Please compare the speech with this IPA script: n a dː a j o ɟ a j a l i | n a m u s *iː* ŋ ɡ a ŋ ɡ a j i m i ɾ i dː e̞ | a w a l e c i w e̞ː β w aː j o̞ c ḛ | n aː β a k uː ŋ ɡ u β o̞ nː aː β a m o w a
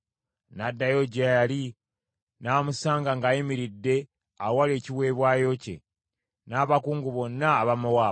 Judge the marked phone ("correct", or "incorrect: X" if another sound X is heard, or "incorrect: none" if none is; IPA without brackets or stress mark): incorrect: aː